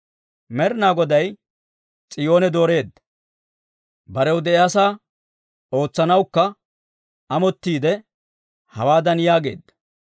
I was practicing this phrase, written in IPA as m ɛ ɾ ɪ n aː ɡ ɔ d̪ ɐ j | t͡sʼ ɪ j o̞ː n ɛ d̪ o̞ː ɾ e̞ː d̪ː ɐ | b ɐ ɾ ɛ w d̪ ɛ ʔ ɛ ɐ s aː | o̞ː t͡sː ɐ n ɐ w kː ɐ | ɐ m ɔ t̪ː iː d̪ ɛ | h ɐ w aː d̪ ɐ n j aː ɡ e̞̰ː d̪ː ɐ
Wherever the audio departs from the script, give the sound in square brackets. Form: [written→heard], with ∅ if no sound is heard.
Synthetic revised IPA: m ɛ ɾ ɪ n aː ɡ ɔ d̪ ɐ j | t͡sʼ ɪ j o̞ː n ɛ d̪ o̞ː ɾ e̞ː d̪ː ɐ | b ɐ ɾ ɛ w d̪ ɛ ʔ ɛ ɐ s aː | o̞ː t͡sː ɐ n ɐ w kː ɐ | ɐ m ɔ t̪ː iː d̪ ɛ | h ɐ w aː d̪ ɐ n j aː ɡ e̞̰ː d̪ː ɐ